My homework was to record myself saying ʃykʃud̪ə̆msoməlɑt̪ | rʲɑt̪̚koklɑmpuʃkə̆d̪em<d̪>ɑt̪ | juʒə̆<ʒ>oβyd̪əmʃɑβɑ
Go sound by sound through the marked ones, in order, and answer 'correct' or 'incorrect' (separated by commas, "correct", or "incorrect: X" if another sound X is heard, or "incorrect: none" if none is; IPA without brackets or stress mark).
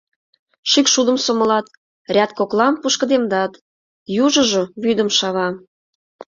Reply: correct, correct